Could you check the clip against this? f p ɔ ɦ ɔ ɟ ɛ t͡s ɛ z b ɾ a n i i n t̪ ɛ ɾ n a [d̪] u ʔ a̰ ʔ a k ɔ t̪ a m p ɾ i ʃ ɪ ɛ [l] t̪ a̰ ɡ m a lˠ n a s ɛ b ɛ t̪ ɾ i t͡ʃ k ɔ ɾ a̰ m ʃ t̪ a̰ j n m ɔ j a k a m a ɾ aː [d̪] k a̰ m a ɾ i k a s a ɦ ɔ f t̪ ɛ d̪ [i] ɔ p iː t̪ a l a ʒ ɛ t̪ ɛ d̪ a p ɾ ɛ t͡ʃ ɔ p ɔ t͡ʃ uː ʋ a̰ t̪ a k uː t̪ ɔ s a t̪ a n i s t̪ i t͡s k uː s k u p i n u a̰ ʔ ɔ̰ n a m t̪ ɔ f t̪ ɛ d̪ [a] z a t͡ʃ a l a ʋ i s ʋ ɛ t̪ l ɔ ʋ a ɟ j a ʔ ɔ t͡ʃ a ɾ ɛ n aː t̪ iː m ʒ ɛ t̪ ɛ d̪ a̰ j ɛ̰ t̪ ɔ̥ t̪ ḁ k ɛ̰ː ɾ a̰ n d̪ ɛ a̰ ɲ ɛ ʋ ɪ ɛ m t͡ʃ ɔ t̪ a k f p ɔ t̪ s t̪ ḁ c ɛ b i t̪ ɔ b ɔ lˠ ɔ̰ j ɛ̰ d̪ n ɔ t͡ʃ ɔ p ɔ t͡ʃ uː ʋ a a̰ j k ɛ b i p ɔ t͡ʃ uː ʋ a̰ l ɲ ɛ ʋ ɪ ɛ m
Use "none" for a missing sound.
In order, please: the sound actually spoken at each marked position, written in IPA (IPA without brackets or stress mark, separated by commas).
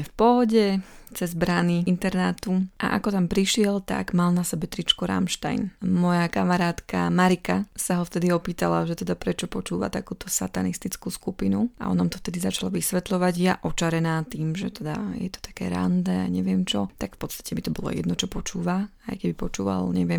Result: t̪, l, t̪, i, i